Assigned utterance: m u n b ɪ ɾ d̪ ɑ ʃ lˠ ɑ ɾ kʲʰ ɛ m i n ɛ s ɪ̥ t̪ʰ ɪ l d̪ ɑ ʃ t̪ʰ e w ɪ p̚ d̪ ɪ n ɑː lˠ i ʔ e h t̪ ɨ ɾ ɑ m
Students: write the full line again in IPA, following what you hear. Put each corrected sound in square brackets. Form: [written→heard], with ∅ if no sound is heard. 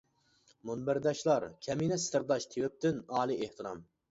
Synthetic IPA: m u n b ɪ ɾ d̪ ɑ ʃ lˠ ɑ ɾ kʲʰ ɛ m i n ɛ s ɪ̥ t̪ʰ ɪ [l→ɾ] d̪ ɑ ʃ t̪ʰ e w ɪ p̚ [d̪→t̪] ɪ n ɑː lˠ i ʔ e h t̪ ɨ ɾ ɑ m